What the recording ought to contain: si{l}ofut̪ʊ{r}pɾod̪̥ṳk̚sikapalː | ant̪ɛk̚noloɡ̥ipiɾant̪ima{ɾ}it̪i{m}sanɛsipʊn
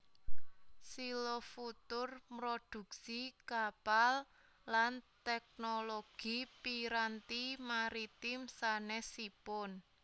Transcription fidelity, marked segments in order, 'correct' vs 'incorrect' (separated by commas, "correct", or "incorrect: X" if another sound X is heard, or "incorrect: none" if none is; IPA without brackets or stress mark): correct, correct, correct, correct